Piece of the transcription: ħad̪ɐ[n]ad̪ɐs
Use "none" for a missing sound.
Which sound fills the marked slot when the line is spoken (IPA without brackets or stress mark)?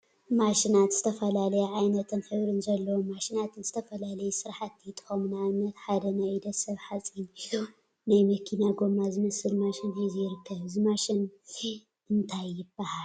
n